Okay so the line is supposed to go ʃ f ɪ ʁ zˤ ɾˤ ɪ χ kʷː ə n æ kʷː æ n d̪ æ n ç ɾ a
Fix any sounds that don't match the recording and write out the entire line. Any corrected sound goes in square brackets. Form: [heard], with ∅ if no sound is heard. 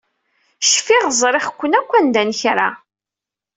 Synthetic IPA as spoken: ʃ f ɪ ʁ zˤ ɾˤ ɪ χ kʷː ə n æ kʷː æ n d̪ æ n ç ɾ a